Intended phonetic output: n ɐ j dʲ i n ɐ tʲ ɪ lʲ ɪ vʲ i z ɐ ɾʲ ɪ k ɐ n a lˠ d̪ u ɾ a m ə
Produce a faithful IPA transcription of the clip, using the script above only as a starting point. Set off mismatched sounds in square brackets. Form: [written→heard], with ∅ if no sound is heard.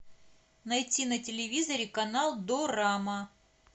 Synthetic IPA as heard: n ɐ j [dʲ→tʲ] i n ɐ tʲ ɪ lʲ ɪ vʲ i z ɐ ɾʲ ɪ k ɐ n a lˠ d̪ [u→o] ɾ a m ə